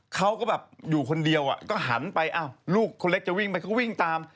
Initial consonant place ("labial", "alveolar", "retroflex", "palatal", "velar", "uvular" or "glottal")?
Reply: velar